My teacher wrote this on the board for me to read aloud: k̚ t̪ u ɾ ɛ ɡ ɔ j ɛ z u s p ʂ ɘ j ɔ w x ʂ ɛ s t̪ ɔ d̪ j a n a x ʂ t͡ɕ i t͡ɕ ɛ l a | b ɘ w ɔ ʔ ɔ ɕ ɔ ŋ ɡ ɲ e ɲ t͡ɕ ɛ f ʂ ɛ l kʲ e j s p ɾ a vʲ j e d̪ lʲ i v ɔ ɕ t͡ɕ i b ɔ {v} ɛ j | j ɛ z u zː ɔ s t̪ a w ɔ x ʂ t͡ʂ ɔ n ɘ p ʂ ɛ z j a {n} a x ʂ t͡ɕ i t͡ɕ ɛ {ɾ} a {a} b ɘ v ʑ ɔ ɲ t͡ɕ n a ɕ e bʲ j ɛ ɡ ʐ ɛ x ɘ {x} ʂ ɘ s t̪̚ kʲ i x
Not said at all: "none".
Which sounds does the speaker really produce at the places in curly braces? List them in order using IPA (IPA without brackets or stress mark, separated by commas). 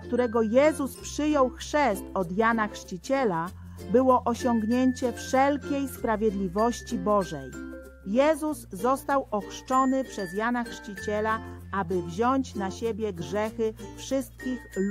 ʐ, n, l, a, f